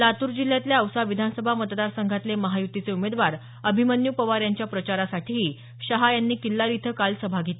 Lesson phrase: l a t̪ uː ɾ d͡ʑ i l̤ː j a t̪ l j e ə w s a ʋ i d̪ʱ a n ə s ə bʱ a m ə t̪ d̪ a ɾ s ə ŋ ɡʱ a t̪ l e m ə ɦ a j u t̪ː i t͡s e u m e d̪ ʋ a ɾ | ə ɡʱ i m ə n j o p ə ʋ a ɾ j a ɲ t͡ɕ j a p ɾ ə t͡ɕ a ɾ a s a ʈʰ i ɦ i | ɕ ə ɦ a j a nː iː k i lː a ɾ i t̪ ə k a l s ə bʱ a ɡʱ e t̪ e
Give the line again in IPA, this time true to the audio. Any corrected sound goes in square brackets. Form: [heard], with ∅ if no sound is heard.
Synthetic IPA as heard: l a t̪ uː ɾ d͡ʑ i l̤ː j a t̪ l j [a] ə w s a ʋ i d̪ʱ a n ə s ə bʱ a m ə t̪ d̪ a ɾ s ə ŋ ɡʱ a t̪ l e m ə ɦ a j u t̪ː i t͡s e u m e d̪ ʋ a ɾ | ə [bʱ] i m ə n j [u] p ə ʋ a ɾ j a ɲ t͡ɕ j a p ɾ ə t͡ɕ a ɾ a s a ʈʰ i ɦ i | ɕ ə ɦ a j a nː iː k i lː a ɾ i [t̪ʰ] ə k a l s ə bʱ a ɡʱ e t̪ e